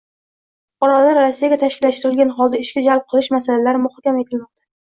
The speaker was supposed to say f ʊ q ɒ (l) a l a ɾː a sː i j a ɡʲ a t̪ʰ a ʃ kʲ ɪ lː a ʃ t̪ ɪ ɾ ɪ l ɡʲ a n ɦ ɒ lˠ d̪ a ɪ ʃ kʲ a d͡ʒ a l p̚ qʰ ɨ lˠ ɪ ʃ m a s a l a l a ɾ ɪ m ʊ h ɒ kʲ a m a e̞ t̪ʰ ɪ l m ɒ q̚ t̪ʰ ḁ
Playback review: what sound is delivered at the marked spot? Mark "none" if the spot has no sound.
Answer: ɾ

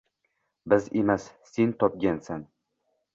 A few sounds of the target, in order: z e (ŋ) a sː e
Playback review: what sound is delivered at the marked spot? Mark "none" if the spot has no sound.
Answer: m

